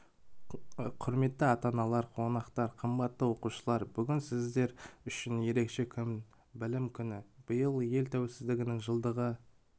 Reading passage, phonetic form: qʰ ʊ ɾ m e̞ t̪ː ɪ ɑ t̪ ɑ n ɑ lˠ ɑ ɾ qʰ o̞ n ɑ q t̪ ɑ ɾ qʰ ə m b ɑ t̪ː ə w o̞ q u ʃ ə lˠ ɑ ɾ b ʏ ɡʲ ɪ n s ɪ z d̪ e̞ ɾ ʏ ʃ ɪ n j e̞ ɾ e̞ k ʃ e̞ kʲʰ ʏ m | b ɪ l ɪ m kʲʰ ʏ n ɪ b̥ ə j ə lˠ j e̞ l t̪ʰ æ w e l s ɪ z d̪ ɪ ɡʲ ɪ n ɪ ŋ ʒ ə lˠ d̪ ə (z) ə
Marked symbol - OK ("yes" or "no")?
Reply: no